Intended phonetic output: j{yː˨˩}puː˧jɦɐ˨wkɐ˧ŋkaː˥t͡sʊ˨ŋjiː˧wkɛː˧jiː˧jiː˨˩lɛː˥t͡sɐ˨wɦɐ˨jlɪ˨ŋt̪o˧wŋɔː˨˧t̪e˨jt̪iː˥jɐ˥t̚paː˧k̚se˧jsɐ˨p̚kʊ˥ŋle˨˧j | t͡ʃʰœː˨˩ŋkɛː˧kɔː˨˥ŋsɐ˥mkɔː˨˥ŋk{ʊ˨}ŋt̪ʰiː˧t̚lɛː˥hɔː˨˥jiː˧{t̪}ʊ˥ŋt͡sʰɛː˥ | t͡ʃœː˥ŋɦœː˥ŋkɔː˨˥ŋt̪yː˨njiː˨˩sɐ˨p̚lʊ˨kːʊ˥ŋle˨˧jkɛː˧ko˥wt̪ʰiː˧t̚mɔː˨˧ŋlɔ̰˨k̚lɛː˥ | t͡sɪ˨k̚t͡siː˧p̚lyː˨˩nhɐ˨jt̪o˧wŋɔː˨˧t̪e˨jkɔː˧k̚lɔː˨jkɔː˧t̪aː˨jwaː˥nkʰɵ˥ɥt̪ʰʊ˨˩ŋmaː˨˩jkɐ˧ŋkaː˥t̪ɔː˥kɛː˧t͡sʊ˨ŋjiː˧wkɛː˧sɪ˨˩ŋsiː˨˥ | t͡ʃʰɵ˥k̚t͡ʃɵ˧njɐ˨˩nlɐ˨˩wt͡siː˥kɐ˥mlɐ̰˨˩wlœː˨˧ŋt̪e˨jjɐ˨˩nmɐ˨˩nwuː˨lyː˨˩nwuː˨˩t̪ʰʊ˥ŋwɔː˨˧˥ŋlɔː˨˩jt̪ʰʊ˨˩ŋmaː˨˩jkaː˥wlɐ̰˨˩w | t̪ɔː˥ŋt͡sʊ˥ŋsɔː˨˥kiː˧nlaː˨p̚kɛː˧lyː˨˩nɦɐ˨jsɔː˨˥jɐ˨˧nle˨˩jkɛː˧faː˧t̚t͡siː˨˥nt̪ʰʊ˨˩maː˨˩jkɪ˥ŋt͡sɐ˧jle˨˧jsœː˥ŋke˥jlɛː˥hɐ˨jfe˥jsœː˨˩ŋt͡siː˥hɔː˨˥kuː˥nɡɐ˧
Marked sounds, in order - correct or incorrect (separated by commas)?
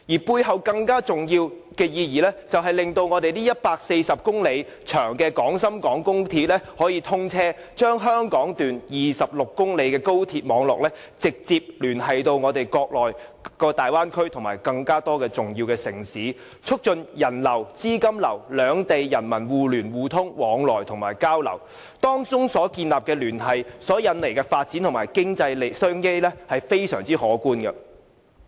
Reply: incorrect, incorrect, incorrect